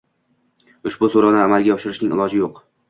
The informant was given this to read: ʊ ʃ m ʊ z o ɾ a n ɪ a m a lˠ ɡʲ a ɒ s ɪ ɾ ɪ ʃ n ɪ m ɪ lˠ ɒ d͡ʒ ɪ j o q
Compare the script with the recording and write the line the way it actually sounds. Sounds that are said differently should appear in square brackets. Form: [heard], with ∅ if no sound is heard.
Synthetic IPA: ʊ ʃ [b] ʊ [s] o ɾ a n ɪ a m a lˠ ɡʲ a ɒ [ʃ] ɪ ɾ ɪ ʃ n ɪ [ŋ] ɪ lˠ ɒ d͡ʒ ɪ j o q